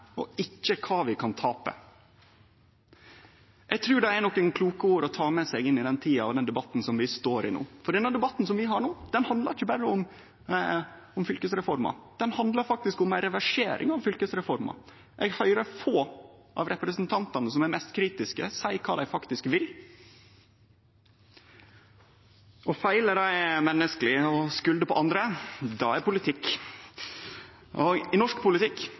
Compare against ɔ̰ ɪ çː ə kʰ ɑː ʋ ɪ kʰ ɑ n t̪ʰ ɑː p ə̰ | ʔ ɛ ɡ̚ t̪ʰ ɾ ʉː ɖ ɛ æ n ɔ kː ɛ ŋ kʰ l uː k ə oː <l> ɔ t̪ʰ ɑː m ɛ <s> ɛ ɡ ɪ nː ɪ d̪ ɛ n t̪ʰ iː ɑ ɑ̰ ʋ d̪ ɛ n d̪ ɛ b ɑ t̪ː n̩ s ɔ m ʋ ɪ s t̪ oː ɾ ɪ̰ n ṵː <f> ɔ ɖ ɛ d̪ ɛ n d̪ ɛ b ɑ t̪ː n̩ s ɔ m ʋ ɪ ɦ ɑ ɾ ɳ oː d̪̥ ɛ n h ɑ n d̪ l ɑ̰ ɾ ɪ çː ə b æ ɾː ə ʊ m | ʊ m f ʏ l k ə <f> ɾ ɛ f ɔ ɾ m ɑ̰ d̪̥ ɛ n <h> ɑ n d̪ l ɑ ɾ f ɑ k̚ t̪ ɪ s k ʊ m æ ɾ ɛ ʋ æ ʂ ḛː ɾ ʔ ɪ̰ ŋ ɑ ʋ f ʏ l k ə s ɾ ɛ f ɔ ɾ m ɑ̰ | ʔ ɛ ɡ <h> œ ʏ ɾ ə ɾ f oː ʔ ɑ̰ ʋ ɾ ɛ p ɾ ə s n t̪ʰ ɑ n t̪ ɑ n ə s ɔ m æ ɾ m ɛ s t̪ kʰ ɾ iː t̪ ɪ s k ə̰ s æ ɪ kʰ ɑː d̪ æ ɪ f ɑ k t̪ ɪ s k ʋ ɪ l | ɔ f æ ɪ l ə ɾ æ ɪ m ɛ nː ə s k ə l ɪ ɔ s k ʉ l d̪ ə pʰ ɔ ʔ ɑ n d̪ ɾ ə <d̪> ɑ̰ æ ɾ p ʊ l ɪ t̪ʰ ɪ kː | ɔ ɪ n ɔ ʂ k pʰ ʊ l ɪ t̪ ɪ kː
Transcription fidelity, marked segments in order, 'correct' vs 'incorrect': incorrect: ɾ, correct, correct, incorrect: s, correct, correct, correct

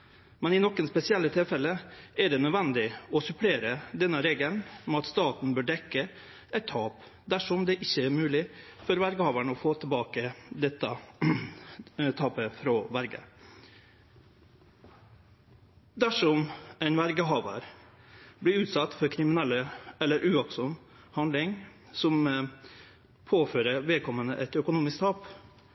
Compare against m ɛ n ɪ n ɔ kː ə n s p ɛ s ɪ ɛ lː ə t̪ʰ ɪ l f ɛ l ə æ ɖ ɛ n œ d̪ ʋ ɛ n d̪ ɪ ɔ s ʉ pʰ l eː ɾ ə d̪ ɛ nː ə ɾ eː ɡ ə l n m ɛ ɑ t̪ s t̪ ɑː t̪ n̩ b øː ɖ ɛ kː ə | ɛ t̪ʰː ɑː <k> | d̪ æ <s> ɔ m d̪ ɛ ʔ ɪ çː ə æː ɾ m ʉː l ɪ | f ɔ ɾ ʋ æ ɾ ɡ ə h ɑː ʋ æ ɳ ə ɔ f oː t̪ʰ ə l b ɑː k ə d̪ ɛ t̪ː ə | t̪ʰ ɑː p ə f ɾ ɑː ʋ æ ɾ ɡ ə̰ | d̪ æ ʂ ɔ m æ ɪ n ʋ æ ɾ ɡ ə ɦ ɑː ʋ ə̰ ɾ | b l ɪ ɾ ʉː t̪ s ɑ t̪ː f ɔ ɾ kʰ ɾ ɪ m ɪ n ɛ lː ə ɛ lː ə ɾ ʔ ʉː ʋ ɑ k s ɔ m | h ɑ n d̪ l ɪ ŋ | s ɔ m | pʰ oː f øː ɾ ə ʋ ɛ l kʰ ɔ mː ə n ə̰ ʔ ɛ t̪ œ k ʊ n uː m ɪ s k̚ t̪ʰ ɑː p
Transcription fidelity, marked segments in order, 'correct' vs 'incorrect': incorrect: p, incorrect: ʂ

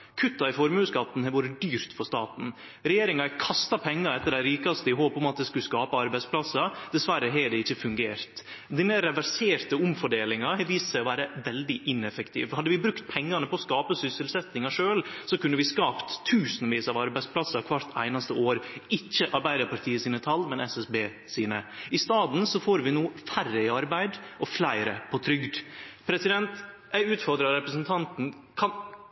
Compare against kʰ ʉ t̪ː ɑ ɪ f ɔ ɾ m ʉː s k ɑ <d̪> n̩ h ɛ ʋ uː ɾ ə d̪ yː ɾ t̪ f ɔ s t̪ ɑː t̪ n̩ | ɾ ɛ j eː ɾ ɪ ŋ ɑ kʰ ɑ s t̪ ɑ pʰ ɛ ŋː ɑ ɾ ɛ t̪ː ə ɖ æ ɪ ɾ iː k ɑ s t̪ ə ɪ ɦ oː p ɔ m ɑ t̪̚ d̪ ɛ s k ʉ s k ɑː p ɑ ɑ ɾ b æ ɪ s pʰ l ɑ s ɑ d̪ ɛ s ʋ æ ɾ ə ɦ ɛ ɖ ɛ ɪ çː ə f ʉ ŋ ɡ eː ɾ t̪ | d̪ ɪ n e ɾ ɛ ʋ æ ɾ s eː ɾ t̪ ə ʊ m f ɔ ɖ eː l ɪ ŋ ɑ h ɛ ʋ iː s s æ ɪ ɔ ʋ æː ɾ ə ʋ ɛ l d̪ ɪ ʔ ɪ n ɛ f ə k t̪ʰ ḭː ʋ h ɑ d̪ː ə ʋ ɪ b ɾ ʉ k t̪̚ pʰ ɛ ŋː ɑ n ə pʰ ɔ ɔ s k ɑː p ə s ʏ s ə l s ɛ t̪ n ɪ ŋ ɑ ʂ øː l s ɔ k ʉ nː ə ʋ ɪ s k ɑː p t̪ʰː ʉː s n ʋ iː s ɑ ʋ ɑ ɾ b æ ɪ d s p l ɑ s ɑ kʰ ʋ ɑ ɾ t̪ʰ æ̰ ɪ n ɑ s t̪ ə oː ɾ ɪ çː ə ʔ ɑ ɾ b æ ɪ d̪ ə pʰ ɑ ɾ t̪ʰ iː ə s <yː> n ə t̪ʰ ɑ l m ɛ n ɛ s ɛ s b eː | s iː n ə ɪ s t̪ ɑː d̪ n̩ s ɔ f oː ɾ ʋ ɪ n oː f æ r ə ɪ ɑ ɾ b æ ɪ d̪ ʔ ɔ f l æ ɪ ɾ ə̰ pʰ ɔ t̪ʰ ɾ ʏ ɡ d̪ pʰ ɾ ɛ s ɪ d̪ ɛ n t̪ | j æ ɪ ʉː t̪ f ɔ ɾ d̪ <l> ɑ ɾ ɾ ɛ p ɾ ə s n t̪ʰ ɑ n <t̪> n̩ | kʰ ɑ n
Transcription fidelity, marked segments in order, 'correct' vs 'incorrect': incorrect: t̪, incorrect: iː, incorrect: ɾ, correct

